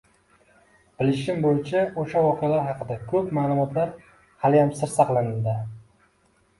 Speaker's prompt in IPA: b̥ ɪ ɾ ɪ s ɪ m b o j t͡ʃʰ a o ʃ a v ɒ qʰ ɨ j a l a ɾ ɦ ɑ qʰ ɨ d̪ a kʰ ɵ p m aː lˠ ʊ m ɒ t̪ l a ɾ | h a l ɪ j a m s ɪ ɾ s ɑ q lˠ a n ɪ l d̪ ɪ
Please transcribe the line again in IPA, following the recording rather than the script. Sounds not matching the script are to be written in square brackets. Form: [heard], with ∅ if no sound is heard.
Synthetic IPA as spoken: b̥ ɪ [l] ɪ [ʃ] ɪ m b o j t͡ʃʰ a o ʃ a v ɒ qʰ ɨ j a l a ɾ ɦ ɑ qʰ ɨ d̪ a kʰ ɵ p m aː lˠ ʊ m ɒ t̪ l a ɾ | h a l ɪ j a m s ɪ ɾ s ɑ q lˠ a n ɪ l d̪ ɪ